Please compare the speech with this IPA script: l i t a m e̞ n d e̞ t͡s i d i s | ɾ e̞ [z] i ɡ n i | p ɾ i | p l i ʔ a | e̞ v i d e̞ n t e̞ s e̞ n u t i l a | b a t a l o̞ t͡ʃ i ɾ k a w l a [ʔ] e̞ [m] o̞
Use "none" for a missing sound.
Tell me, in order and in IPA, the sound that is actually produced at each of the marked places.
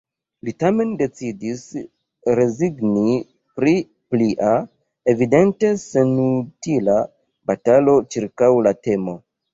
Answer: z, t, m

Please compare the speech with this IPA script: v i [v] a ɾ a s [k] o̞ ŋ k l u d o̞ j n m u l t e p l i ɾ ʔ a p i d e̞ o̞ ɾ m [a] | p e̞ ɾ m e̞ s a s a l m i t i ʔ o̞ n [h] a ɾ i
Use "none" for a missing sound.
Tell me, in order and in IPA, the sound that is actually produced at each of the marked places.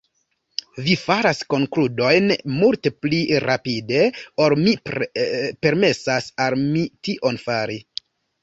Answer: f, k, i, f

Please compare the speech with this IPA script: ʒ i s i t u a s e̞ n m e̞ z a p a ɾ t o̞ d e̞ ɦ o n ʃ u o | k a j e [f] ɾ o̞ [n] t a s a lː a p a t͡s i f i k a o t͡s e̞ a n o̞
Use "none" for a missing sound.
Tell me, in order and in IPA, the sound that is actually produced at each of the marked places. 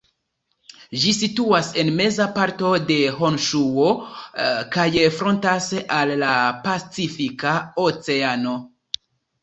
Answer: f, n

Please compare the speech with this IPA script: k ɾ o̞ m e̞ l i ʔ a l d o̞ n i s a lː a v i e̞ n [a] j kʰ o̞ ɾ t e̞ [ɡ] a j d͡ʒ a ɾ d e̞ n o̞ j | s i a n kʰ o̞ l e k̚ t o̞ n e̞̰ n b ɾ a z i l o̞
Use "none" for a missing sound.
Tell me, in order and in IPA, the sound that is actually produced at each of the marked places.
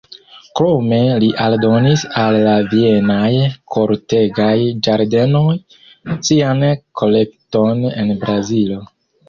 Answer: a, ɡ

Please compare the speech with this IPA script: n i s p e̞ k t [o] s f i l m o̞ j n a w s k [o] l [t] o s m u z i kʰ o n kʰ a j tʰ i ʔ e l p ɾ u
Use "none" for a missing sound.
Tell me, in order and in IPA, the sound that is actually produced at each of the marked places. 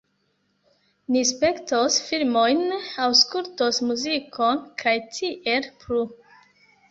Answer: o, u, t

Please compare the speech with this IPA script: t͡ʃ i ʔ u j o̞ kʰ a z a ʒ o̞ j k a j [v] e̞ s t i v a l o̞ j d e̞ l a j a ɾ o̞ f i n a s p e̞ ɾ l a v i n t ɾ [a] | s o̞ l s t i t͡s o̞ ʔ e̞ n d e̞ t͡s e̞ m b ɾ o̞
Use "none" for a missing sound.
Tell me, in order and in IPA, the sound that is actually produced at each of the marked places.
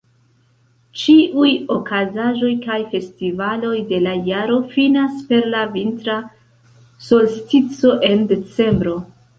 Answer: f, a

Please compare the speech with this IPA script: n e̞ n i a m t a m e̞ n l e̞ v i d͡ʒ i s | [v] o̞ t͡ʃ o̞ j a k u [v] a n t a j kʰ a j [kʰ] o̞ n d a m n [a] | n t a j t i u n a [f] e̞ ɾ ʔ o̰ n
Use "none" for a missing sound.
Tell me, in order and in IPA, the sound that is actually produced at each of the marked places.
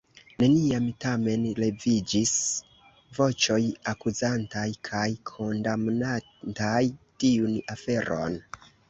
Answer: v, z, kʰ, a, f

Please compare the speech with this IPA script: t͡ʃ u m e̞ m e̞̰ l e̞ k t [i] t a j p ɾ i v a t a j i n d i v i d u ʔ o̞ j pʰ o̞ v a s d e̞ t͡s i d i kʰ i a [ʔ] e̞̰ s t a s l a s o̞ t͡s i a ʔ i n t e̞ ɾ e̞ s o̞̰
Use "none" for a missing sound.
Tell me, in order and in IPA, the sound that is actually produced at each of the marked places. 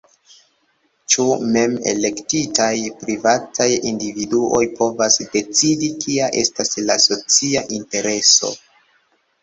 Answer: i, ʔ

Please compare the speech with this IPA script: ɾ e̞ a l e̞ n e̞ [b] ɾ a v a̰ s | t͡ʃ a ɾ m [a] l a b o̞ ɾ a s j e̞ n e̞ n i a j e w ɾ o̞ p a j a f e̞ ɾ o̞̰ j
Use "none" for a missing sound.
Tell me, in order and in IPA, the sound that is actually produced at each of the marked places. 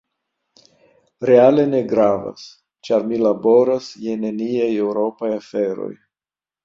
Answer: ɡ, i

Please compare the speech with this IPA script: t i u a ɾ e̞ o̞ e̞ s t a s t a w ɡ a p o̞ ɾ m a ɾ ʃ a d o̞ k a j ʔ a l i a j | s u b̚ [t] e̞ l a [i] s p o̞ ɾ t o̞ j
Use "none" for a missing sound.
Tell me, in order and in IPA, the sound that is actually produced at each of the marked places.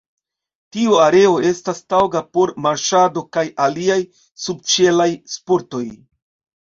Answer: t͡ʃ, j

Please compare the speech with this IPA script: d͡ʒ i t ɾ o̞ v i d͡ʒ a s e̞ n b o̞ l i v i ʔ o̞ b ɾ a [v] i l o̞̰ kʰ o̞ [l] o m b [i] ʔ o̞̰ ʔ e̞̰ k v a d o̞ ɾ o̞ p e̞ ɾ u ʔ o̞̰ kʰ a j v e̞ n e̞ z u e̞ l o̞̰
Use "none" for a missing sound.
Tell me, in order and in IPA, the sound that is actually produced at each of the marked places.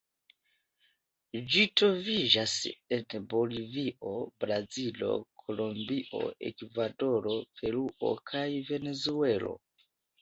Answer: z, l, i

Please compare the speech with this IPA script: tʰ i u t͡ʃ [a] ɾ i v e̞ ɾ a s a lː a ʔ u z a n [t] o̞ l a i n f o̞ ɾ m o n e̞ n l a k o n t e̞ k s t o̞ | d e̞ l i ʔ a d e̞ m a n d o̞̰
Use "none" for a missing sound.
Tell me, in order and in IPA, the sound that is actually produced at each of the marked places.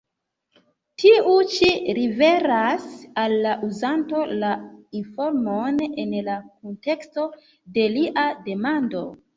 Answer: i, t

